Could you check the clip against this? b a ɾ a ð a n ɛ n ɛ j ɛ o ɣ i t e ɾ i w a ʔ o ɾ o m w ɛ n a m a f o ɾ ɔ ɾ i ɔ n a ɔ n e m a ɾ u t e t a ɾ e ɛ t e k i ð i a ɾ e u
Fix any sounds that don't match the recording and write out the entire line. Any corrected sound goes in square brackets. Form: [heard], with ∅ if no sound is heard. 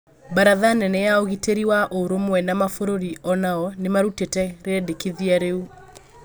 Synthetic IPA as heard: b a ɾ a ð a n ɛ n ɛ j [a] o ɣ i t e ɾ i w a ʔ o ɾ o m w ɛ n a m a f o ɾ [o] ɾ i ɔ n a ɔ n e m a ɾ u t e t [ɛ] ɾ e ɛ [d] e k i ð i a ɾ e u

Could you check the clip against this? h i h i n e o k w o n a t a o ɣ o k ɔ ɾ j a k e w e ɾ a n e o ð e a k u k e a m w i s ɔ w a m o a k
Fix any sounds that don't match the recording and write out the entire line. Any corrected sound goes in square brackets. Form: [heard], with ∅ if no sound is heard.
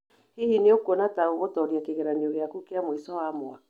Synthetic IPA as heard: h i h i n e o k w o n a t a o ɣ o [t] ɔ ɾ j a k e [ɣ] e ɾ a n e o [ɣ] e a k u k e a m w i s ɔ w a m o a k

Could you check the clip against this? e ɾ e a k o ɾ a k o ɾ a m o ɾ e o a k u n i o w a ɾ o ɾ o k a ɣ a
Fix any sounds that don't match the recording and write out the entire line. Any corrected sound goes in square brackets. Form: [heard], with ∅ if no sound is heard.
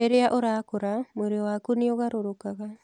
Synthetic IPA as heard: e ɾ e a [ʔ] o ɾ a k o ɾ a m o ɾ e o a k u n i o [ɣ] a ɾ o ɾ o k a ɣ a

